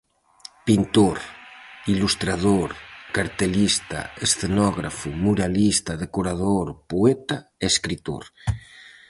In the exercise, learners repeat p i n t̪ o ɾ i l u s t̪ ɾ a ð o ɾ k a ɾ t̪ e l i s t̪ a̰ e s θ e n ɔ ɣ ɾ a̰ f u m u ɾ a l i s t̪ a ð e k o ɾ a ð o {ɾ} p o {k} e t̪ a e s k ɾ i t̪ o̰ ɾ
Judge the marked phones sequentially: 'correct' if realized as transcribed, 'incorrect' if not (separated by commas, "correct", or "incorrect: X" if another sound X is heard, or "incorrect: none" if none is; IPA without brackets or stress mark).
correct, incorrect: none